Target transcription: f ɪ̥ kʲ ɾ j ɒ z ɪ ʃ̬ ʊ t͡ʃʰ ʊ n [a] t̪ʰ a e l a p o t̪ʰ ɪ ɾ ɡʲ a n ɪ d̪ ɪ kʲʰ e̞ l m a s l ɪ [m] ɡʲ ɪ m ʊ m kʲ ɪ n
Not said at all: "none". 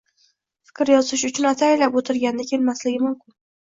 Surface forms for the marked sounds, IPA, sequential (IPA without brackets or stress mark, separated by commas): a, none